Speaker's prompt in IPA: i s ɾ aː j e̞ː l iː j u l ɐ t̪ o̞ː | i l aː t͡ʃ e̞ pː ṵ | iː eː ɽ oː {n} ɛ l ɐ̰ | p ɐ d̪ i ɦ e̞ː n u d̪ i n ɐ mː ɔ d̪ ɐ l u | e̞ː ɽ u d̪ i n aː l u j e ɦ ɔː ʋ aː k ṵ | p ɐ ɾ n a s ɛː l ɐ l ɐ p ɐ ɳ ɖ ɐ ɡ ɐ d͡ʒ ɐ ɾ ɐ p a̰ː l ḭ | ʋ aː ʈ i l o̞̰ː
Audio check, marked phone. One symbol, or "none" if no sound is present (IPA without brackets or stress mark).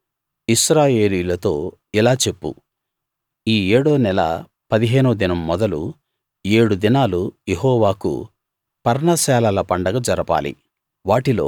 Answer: n